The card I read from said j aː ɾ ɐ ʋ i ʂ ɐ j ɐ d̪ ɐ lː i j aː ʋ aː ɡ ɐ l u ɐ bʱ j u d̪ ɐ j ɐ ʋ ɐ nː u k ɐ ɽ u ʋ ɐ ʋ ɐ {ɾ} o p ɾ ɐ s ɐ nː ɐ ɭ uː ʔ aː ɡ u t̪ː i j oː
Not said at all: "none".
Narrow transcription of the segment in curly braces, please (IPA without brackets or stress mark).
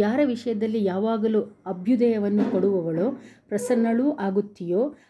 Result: ɭ